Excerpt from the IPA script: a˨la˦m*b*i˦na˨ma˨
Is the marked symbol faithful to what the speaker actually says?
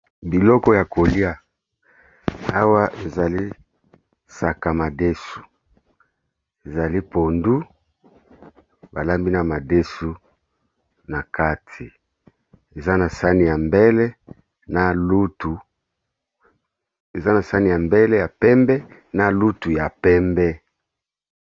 yes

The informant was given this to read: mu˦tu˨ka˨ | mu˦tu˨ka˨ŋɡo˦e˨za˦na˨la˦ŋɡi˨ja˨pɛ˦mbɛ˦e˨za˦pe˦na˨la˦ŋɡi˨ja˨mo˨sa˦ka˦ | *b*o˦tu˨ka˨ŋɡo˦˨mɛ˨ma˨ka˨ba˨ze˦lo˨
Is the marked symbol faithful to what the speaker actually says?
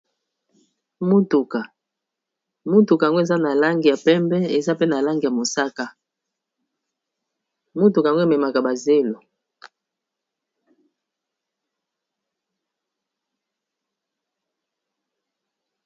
no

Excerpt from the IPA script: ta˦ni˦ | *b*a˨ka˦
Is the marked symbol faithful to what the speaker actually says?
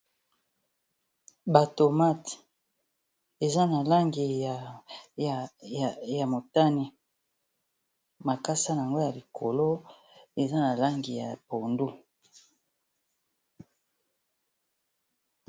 no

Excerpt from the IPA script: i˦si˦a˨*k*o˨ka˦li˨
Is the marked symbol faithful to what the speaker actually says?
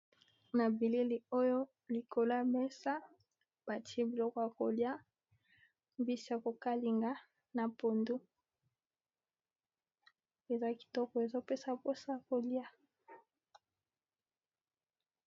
yes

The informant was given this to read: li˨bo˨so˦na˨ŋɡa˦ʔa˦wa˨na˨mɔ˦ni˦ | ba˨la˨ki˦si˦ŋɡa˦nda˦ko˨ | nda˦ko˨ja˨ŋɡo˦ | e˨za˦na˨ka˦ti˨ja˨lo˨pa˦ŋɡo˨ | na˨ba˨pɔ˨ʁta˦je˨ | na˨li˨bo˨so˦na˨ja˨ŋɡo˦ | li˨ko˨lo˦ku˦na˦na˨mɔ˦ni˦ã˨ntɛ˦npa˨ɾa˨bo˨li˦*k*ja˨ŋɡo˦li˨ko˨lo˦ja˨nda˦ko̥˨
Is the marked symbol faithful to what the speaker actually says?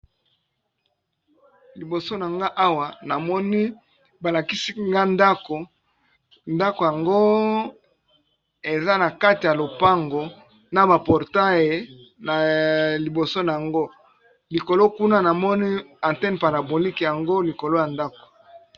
yes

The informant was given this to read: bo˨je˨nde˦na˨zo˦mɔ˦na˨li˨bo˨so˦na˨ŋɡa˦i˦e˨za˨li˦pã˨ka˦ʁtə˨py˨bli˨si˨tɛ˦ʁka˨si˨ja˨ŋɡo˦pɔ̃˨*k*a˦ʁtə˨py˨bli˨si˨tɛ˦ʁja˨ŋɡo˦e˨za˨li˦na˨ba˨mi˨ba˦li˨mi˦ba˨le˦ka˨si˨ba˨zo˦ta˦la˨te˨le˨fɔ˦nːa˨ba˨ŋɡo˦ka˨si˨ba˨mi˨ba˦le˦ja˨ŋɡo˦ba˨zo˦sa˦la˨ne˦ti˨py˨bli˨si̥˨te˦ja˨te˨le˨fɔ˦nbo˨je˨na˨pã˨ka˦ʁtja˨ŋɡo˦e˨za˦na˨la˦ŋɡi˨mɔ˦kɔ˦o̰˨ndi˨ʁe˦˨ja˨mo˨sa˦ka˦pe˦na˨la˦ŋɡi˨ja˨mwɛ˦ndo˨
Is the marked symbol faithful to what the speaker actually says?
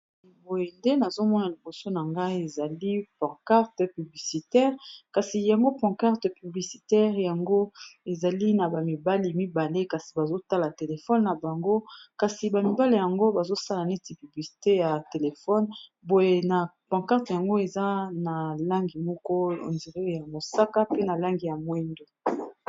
yes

